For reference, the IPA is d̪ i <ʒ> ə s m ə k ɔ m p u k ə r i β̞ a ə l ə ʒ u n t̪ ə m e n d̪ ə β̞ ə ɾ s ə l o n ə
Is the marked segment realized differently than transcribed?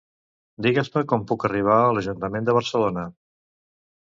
yes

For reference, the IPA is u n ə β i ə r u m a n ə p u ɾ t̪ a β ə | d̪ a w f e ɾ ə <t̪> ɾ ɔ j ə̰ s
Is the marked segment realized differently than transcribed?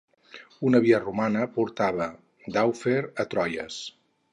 no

